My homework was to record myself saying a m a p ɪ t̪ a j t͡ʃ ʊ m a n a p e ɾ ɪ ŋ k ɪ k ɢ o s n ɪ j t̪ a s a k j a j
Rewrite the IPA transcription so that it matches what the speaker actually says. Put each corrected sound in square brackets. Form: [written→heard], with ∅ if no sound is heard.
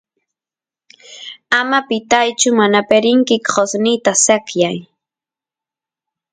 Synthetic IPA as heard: a m a p ɪ t̪ a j t͡ʃ ʊ m a n a p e ɾ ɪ ŋ k ɪ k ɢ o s n ɪ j t̪ a s a k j a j